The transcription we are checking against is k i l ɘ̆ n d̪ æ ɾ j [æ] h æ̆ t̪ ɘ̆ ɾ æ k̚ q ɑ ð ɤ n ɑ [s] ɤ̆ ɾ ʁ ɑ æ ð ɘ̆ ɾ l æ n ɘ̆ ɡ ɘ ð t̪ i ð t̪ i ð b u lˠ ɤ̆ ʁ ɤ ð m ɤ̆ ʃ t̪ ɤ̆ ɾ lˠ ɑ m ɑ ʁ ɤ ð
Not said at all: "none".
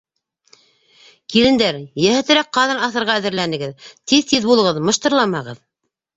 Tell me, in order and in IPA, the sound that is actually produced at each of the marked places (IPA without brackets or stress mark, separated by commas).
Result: æ, θ